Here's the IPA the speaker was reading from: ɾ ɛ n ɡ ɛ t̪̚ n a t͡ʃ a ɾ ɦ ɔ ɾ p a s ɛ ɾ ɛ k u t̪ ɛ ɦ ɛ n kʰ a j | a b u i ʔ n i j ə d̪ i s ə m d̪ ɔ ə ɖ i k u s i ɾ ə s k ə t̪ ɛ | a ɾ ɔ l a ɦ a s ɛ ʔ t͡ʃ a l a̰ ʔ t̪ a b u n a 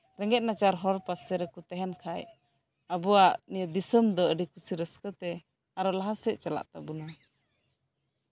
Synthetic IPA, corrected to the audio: ɾ ɛ ŋ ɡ ɛ t̪̚ n a t͡ʃ a ɾ ɦ ɔ ɾ p a s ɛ ɾ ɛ k u t̪ ɛ ɦ ɛ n kʰ a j | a b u a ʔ n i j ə d̪ i s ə m d̪ ɔ ə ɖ i k u s i ɾ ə s k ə t̪ ɛ | a ɾ ɔ l a ɦ a s ɛ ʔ t͡ʃ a l a̰ ʔ t̪ a b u n a

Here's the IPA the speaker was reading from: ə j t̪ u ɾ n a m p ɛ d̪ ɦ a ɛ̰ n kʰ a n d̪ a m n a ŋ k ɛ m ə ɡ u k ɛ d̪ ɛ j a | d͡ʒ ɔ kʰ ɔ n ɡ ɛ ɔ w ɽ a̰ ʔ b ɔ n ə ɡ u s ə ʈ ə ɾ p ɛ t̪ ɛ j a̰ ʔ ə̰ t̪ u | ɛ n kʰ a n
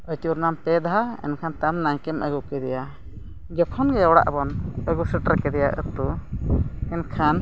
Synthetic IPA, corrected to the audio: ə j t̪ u ɾ n a m p ɛ d̪ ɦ a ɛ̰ n kʰ a n t̪ a m n a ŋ k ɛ m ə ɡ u k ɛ d̪ ɛ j a | d͡ʒ ɔ kʰ ɔ n ɡ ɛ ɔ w ɽ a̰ ʔ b ɔ n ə ɡ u s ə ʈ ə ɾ k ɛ d̪ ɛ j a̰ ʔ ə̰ t̪ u | ɛ n kʰ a n

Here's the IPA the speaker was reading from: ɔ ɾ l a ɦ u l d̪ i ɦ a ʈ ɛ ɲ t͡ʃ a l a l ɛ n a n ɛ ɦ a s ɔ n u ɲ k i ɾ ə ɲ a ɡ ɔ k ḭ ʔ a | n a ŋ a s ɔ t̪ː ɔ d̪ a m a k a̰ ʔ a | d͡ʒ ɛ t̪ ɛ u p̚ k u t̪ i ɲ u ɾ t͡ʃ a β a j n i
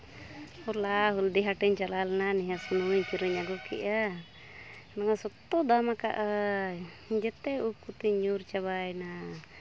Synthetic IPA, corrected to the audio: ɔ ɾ l a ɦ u l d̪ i ɦ a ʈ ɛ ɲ t͡ʃ a l a l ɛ n a n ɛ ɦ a s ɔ n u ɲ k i ɾ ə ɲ a ɡ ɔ k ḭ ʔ a | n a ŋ a s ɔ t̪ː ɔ d̪ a m a k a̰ ʔ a | d͡ʒ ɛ t̪ ɛ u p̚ k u t̪ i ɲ u ɾ t͡ʃ a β a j n a

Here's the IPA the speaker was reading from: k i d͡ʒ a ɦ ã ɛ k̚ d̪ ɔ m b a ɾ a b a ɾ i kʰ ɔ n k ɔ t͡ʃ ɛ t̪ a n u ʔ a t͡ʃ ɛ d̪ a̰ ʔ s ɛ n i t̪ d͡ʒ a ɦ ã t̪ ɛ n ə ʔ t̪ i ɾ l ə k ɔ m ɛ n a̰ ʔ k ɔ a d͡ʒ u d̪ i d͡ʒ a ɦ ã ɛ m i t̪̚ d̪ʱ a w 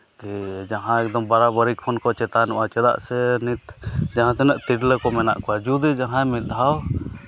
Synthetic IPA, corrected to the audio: k i d͡ʒ a ɦ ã ɛ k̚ d̪ ɔ m b a ɾ a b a ɾ i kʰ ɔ n k ɔ t͡ʃ ɛ t̪ a n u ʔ a t͡ʃ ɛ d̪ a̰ ʔ s ɛ n i t̪ d͡ʒ a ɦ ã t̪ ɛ n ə ʔ t̪ i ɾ l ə k ɔ m ɛ n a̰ ʔ k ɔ a d͡ʒ u d̪ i d͡ʒ a ɦ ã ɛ m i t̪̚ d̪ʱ a w

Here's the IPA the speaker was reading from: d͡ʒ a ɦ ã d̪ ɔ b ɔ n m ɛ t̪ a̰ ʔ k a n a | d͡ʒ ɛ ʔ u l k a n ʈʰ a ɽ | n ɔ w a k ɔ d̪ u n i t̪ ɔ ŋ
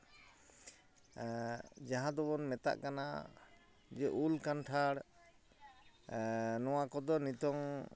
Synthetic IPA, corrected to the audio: d͡ʒ a ɦ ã d̪ ɔ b ɔ n m ɛ t̪ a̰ ʔ k a n a | d͡ʒ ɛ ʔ u l k a n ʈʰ a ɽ | n ɔ w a k ɔ d̪ ɔ n i t̪ ɔ ŋ

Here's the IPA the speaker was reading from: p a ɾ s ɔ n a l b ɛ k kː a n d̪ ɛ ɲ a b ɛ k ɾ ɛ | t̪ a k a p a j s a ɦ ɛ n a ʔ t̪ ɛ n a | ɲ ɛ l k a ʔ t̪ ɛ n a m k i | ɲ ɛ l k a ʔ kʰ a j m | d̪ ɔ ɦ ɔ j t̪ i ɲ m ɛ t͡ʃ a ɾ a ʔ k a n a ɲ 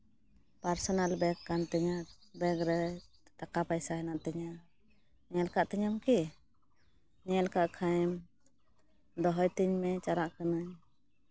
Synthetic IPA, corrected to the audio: p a ɾ s ɔ n a l b ɛ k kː a n t̪ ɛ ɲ a b ɛ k ɾ ɛ | t̪ a k a p a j s a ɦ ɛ n a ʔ t̪ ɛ ɲ a | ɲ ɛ l k a ʔ t̪ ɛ ɲ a m k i | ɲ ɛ l k a ʔ kʰ a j m | d̪ ɔ ɦ ɔ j t̪ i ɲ m ɛ t͡ʃ a ɾ a ʔ k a n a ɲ

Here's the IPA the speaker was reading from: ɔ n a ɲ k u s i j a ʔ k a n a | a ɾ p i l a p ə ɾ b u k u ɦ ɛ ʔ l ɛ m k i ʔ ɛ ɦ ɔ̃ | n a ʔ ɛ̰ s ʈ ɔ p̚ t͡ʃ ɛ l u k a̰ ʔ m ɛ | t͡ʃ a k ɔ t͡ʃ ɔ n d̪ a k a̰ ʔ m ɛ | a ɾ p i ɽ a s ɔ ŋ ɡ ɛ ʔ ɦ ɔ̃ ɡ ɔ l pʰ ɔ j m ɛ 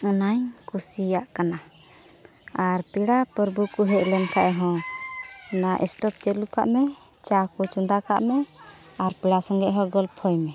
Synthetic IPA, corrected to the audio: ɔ n a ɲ k u s i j a ʔ k a n a | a ɾ p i ɽ a p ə ɾ b u k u ɦ ɛ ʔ l ɛ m k a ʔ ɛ ɦ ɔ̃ | n a ʔ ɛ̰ s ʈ ɔ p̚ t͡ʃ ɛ l u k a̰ ʔ m ɛ | t͡ʃ a k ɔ t͡ʃ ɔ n d̪ a k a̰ ʔ m ɛ | a ɾ p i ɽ a s ɔ ŋ ɡ ɛ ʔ ɦ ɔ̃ ɡ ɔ l pʰ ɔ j m ɛ

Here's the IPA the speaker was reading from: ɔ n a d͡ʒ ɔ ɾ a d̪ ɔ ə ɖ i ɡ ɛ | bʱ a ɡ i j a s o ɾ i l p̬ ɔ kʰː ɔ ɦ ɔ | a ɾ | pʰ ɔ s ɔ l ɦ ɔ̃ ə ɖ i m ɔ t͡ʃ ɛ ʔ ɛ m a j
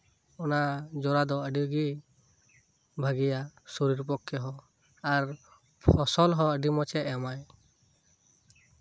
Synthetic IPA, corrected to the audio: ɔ n a d͡ʒ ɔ ɾ a d̪ ɔ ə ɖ i ɡ i | bʱ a ɡ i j a s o ɾ i ɾ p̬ ɔ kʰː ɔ ɦ ɔ | a ɾ | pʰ ɔ s ɔ l ɦ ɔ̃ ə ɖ i m ɔ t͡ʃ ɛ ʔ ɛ m a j

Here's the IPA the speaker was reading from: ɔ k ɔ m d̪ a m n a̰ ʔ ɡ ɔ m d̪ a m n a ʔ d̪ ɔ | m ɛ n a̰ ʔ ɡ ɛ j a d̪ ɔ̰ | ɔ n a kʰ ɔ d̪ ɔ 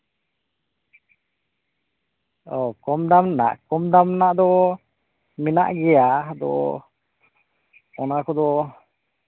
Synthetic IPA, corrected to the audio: ɔ k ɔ m d̪ a m n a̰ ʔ k ɔ m d̪ a m n a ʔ d̪ ɔ | m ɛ n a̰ ʔ ɡ ɛ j a d̪ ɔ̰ | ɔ n a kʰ ɔ d̪ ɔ

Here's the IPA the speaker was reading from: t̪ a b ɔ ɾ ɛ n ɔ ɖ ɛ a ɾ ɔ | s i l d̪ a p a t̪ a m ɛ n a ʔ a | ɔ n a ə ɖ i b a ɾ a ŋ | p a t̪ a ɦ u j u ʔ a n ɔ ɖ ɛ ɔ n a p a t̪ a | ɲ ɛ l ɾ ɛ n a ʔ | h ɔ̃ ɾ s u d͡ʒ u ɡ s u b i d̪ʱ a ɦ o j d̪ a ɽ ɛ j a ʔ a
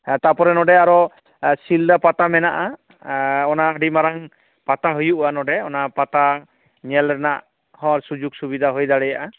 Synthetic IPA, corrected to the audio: t̪ a p ɔ ɾ ɛ n ɔ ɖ ɛ a ɾ ɔ | s i l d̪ a p a t̪ a m ɛ n a ʔ a | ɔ n a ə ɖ i m a ɾ a ŋ | p a t̪ a ɦ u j u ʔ a n ɔ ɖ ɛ ɔ n a p a t̪ a | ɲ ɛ l ɾ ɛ n a ʔ | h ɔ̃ ɾ s u d͡ʒ u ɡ s u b i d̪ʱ a ɦ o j d̪ a ɽ ɛ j a ʔ a

